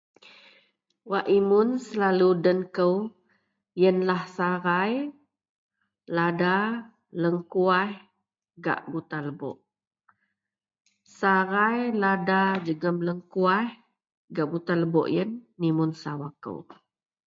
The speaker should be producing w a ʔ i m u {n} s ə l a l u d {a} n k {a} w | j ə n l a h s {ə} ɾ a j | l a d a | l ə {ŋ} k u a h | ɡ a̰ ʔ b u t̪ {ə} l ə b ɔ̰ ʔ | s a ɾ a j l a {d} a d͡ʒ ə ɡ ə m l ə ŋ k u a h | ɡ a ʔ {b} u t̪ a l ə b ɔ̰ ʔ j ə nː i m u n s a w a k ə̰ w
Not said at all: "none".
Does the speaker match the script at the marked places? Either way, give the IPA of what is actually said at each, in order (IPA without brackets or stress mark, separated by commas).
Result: n, ə, ə, a, ŋ, a, d, b